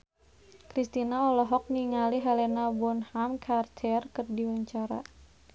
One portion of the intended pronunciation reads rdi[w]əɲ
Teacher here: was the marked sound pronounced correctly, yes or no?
yes